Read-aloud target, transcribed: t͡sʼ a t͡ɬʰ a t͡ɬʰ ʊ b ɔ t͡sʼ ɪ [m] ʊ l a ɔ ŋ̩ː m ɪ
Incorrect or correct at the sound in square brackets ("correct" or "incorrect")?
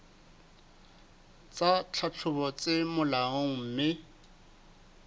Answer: correct